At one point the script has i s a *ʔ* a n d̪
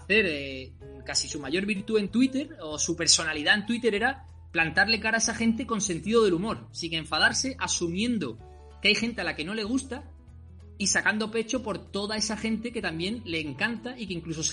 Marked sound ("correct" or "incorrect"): incorrect